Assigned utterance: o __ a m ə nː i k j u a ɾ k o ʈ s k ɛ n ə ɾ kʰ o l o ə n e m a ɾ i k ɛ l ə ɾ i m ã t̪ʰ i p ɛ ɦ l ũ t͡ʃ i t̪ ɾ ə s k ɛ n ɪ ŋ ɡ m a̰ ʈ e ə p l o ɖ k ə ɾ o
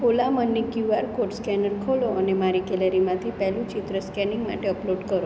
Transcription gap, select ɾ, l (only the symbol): l